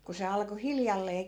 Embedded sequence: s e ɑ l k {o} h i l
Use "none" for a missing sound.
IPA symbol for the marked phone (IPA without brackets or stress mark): o